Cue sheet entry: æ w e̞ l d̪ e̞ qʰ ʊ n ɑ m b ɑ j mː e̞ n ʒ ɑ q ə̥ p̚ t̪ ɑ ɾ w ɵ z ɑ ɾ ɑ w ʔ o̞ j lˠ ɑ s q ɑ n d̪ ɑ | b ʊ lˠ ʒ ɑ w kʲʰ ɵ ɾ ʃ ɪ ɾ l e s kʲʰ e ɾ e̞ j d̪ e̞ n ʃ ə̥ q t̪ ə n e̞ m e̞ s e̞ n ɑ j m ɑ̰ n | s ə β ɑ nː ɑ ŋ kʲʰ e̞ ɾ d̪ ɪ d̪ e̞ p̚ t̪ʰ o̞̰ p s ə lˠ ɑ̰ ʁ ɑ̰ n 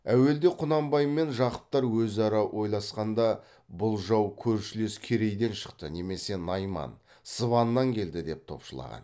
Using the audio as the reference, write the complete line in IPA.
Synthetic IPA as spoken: æ w e̞ l d̪ e̞ qʰ ʊ n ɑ m b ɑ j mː e̞ n ʒ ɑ q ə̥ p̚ t̪ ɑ ɾ w ɵ z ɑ ɾ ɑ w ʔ o̞ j lˠ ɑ s q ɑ n d̪ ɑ | b ʊ lˠ ʒ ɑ w kʲʰ ɵ ɾ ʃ ɪ l e s kʲʰ e ɾ e̞ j d̪ e̞ n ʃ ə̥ q t̪ ə n e̞ m e̞ s e̞ n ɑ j m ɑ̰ n | s ə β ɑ nː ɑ ŋ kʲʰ e̞ l d̪ ɪ d̪ e̞ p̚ t̪ʰ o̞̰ p ʃ ə lˠ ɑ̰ ʁ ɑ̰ n